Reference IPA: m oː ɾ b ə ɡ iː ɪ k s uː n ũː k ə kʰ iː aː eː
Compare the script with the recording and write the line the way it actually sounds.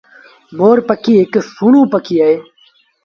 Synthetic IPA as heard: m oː ɾ p ə k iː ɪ k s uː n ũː p ə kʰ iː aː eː